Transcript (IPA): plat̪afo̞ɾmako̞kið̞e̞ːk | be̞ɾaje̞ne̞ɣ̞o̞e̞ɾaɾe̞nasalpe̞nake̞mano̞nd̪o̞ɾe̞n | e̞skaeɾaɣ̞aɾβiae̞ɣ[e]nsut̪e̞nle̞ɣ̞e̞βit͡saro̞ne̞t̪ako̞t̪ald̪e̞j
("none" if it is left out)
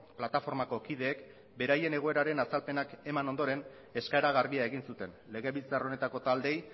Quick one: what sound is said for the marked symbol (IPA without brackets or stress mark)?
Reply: i